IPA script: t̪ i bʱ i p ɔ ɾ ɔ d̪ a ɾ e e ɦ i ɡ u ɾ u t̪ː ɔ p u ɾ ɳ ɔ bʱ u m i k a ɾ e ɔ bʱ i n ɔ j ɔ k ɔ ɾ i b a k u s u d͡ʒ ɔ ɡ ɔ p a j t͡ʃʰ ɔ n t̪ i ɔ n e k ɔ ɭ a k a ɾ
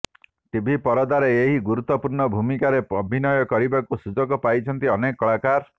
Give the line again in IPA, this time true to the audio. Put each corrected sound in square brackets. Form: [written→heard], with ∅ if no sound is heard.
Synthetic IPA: t̪ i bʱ i p ɔ ɾ ɔ d̪ a ɾ e e ɦ i ɡ u ɾ u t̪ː ɔ p u ɾ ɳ ɔ bʱ u m i k a ɾ e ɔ bʱ i n ɔ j ɔ k ɔ ɾ i b a k u s u d͡ʒ ɔ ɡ ɔ p a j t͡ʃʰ ɔ n t̪ i ɔ n e k ɔ ɭ a k a ɾ